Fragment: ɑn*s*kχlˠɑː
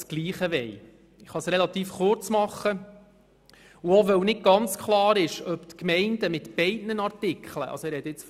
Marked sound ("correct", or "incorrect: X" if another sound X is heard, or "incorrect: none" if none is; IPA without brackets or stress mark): incorrect: t͡s